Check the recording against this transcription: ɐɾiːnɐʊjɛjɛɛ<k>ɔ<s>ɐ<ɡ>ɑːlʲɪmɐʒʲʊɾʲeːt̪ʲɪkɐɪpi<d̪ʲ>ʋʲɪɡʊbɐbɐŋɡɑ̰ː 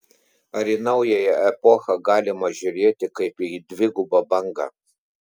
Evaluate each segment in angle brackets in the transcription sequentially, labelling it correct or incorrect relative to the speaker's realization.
incorrect, incorrect, correct, correct

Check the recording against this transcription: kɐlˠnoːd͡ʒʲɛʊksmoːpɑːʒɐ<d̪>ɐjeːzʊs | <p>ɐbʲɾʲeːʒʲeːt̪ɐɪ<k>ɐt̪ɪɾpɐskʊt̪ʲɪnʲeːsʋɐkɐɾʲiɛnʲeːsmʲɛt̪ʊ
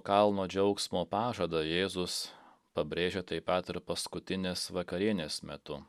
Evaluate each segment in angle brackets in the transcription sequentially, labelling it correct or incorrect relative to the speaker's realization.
correct, correct, incorrect

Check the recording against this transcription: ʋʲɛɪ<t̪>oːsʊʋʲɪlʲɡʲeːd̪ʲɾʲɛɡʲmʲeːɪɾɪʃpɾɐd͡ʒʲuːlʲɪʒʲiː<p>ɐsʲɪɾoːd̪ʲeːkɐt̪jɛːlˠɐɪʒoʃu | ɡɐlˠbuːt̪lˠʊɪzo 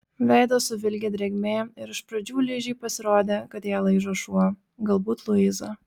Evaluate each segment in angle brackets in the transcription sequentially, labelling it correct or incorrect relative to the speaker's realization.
incorrect, correct

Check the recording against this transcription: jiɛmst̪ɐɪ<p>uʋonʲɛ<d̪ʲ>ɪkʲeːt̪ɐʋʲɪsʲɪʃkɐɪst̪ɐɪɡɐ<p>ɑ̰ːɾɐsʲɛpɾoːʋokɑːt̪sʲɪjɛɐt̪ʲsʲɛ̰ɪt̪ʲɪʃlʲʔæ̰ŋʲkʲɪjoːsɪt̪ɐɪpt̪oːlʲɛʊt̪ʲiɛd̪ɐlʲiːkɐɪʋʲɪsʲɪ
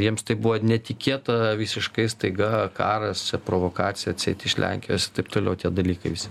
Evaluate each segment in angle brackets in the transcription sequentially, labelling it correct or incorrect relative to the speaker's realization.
incorrect, incorrect, incorrect

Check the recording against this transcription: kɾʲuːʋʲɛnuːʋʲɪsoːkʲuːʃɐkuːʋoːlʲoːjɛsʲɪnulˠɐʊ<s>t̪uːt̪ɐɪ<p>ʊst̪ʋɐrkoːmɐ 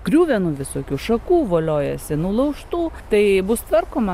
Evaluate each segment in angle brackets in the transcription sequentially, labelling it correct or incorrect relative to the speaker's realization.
incorrect, incorrect

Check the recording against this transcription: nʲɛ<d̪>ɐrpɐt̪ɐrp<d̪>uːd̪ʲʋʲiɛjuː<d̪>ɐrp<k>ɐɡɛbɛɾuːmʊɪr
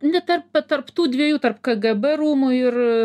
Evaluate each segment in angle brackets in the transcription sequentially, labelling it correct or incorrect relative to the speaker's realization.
incorrect, incorrect, incorrect, correct

